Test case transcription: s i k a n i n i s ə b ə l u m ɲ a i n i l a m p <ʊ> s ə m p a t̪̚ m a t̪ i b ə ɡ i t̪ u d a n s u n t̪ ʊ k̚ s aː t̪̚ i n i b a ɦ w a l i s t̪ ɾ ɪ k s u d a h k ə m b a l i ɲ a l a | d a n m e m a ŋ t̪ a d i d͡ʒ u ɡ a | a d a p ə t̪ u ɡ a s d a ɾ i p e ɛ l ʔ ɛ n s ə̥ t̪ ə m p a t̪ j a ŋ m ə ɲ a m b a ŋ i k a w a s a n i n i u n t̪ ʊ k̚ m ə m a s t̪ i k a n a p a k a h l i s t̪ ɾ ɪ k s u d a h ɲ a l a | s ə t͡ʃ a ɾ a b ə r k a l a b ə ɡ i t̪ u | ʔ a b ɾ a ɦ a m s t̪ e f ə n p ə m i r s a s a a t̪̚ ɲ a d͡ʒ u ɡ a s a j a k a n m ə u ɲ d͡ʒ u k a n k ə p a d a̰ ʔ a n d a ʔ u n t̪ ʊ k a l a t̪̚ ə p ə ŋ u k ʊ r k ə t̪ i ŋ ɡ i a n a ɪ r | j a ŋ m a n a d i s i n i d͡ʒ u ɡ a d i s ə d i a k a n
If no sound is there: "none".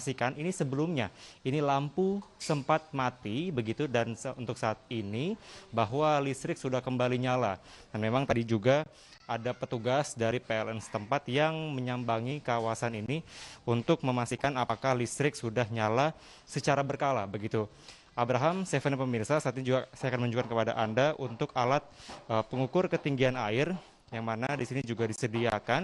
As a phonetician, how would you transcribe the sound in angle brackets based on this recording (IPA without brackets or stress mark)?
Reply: u